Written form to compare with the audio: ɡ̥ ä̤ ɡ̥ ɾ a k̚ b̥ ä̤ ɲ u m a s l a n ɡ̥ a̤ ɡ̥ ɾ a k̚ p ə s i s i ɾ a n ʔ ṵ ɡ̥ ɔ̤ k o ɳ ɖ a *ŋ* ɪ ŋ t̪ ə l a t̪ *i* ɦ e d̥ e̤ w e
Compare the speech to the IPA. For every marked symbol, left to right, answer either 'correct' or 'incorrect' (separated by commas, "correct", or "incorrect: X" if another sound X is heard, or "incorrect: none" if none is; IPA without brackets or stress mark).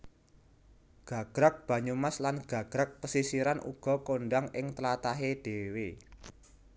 correct, incorrect: a